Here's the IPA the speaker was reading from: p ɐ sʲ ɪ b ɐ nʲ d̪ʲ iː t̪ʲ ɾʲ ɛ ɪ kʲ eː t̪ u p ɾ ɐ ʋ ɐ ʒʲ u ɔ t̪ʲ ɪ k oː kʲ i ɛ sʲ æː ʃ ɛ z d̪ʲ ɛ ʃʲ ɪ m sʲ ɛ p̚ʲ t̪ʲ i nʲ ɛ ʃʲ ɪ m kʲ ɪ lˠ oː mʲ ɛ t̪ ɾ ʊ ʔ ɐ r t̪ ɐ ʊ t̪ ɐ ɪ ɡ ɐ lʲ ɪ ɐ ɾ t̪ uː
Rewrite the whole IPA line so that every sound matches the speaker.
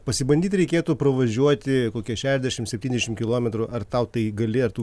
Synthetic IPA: p ɐ sʲ ɪ b ɐ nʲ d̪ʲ iː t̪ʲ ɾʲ ɛ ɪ kʲ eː t̪ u p ɾ ɐ ʋ ɐ ʒʲ u ɔ t̪ʲ ɪ k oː kʲ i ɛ ʃʲ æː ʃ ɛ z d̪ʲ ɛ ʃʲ ɪ m sʲ ɛ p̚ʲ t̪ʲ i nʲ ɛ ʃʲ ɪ m kʲ ɪ lˠ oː mʲ ɛ t̪ ɾ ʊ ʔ ɐ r t̪ ɐ ʊ t̪ ɐ ɪ ɡ ɐ lʲ ɪ ɐ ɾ t̪ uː